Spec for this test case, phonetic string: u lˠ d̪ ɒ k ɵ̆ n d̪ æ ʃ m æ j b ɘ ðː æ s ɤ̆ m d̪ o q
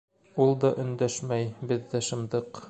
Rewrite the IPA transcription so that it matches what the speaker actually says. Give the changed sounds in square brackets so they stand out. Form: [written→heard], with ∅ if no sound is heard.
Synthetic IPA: u lˠ d̪ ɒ [k→ʔ] ɵ̆ n d̪ æ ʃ m æ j b ɘ ðː æ [s→ʃ] ɤ̆ m d̪ [o→ɤ] q